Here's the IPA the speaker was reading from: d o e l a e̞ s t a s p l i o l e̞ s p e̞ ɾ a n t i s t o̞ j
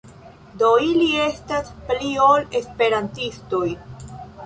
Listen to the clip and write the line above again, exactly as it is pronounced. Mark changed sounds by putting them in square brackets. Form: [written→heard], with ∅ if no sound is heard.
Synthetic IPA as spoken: d o [e→i] l [a→i] e̞ s t a s p l i o l e̞ s p e̞ ɾ a n t i s t o̞ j